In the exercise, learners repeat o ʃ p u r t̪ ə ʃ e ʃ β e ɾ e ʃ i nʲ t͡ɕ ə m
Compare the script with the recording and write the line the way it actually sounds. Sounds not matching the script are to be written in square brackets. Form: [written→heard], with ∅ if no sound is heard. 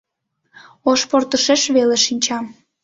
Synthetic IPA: o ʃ p [u→o] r t̪ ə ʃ e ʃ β e [ɾ→l] e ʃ i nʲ t͡ɕ [ə→ɑ] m